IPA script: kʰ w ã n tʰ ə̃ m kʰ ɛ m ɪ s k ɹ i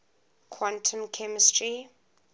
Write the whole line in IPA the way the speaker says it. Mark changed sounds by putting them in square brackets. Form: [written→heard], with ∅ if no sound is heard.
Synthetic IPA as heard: kʰ w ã n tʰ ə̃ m kʰ ɛ m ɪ s [k→t] ɹ i